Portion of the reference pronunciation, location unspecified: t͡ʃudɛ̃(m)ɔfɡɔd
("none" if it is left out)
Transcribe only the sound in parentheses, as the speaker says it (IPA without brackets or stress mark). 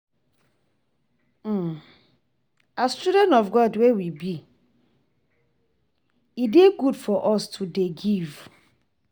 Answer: n